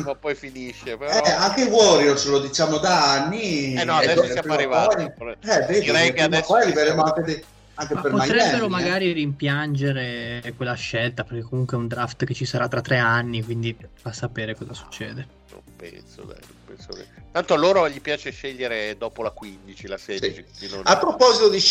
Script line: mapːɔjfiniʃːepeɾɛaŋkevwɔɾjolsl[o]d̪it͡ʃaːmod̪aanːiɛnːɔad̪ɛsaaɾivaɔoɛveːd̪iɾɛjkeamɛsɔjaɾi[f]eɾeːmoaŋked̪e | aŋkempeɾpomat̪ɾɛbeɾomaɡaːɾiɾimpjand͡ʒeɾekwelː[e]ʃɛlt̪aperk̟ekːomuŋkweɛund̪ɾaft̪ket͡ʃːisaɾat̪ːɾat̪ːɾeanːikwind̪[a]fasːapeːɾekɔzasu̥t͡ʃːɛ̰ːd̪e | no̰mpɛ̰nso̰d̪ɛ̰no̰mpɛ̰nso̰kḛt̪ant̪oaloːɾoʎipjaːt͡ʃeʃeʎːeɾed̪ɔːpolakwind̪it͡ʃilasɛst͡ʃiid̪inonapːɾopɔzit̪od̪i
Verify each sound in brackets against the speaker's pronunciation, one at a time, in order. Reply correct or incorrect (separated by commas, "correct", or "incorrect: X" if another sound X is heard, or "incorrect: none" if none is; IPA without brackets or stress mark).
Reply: correct, incorrect: v, incorrect: a, incorrect: i